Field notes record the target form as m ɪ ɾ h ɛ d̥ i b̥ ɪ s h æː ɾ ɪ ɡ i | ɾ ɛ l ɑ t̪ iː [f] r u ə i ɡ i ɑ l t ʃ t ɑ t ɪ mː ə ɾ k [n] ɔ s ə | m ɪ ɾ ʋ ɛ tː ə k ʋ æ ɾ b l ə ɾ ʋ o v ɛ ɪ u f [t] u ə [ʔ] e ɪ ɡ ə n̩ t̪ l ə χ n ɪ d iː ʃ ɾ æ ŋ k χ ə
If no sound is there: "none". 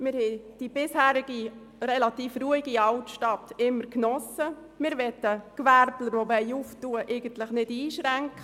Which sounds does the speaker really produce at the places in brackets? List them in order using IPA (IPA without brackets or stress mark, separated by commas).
f, n, t, ʔ